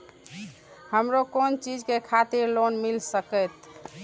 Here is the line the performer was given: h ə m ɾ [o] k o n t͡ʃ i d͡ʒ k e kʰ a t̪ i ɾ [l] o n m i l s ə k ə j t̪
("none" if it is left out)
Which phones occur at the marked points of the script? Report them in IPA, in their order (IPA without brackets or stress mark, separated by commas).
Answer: o, l